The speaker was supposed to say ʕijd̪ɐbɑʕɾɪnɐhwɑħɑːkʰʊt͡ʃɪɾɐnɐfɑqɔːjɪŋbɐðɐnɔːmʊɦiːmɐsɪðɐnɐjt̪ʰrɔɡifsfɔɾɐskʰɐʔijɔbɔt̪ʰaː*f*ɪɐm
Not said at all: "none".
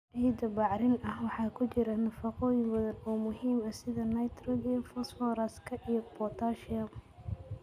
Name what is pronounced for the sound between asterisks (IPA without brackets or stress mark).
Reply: ʃ